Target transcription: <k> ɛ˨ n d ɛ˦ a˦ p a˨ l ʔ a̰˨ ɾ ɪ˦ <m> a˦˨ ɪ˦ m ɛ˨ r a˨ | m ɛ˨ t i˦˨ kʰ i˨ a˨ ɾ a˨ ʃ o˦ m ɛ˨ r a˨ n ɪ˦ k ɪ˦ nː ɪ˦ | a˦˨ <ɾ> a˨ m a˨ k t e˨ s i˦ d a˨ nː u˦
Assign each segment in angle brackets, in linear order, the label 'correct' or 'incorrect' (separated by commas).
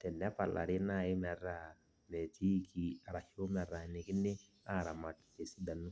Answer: incorrect, incorrect, correct